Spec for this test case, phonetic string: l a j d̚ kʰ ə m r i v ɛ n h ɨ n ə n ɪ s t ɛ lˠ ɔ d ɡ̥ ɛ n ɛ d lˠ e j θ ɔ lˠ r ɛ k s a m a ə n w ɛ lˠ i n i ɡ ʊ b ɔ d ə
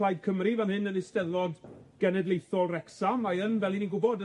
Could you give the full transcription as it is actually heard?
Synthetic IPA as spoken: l a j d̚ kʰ ə m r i v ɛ n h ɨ n ə n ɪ s t ɛ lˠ ɔ d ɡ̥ ɛ n ɛ d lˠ e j θ ɔ lˠ r ɛ k s a m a ə n v ɛ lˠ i n i ɡ ʊ b ɔ d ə